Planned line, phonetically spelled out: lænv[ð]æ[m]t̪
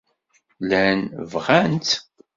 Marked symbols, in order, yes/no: no, no

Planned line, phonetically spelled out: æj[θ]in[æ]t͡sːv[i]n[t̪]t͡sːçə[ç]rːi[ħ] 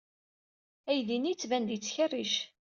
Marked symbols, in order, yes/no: no, no, no, no, no, no

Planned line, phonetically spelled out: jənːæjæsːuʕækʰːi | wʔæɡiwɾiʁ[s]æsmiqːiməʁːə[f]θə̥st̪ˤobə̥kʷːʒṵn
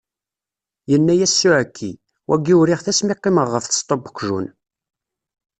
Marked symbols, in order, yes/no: no, yes

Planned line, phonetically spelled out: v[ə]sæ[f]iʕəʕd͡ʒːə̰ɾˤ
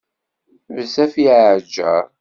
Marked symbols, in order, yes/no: yes, yes

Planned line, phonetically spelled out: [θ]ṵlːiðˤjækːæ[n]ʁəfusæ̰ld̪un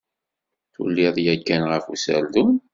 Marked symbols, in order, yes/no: yes, yes

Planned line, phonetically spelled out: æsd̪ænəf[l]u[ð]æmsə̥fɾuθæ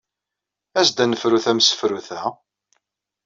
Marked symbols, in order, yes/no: no, no

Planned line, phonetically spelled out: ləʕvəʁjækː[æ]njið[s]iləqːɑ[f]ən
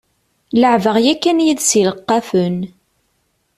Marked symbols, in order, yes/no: yes, yes, yes

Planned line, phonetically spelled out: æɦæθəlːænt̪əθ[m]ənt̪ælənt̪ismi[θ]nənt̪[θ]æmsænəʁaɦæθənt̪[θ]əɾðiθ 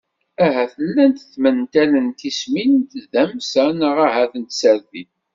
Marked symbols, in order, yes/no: yes, no, no, no

